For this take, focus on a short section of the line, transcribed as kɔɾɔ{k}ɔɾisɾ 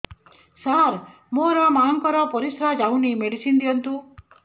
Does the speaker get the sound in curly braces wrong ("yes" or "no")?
yes